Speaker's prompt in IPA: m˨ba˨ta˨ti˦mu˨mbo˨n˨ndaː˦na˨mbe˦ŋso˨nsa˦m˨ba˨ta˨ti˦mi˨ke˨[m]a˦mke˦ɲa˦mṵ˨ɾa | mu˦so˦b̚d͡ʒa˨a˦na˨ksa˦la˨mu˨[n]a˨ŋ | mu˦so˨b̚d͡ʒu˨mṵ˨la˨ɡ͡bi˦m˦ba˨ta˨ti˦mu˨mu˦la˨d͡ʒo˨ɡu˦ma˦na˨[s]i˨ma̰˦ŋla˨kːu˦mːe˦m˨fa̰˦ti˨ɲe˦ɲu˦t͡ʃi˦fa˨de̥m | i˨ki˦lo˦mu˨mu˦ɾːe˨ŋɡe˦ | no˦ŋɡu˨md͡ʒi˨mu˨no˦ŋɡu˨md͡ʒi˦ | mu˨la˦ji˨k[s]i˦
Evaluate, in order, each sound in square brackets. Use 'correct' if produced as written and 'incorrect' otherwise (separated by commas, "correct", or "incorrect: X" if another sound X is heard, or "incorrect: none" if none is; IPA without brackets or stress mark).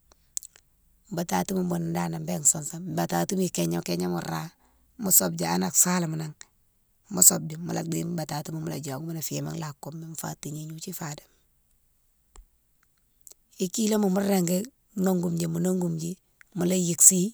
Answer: incorrect: ɲ, correct, incorrect: f, correct